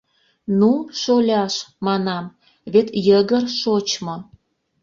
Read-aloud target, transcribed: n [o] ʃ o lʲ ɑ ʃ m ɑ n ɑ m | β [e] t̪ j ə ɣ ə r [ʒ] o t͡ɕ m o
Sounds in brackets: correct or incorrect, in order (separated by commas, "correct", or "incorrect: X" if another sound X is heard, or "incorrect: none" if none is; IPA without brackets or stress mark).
incorrect: u, correct, incorrect: ʃ